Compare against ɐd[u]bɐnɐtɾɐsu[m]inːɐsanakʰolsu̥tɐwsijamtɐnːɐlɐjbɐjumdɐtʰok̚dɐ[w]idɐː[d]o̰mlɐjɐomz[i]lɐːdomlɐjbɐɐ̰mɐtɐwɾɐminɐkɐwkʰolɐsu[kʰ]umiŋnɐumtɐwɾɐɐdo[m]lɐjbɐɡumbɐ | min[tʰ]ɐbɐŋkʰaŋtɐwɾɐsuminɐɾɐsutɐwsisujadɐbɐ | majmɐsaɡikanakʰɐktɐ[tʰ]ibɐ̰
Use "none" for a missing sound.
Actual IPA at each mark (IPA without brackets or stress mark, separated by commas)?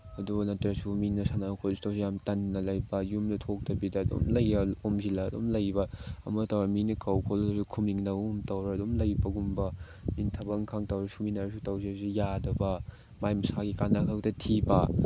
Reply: u, m, b, d, i, kʰ, m, tʰ, tʰ